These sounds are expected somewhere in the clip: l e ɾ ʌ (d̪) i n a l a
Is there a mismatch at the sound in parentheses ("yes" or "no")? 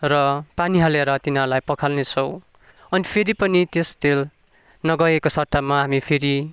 yes